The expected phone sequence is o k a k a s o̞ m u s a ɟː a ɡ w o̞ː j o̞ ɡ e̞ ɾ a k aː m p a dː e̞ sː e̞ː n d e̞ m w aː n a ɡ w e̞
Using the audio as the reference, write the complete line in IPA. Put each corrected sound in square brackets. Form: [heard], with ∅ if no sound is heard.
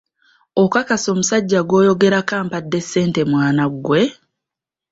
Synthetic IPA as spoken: o k a k a s o̞ m u s a ɟː a ɡ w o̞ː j o̞ ɡ e̞ ɾ a k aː m p a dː e̞ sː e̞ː n [t] e̞ m w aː n a ɡ w e̞